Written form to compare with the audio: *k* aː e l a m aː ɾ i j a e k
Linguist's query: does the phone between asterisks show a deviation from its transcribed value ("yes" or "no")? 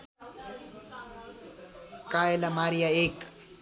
no